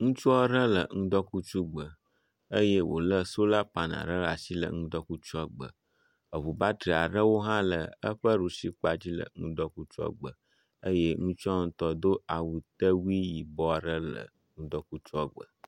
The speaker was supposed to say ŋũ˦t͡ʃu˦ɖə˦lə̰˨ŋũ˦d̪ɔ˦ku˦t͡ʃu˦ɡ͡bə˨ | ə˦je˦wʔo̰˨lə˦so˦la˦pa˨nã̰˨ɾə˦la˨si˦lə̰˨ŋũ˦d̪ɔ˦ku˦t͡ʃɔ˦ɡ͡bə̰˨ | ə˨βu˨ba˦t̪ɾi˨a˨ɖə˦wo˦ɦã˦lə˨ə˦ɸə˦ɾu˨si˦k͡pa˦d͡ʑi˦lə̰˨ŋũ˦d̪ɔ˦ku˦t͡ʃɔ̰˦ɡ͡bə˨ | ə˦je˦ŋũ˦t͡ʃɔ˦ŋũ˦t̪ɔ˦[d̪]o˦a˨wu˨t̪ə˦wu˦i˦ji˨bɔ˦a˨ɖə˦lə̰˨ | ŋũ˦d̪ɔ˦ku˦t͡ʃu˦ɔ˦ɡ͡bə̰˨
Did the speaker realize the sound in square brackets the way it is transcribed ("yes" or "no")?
yes